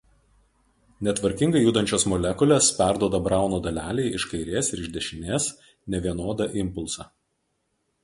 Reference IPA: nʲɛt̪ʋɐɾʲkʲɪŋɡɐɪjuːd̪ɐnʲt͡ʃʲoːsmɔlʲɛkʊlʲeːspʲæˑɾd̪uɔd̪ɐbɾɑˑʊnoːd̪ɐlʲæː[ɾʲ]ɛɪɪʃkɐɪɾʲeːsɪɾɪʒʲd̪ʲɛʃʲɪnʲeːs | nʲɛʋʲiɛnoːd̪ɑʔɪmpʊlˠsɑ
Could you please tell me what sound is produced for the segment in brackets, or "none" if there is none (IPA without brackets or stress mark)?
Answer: lʲ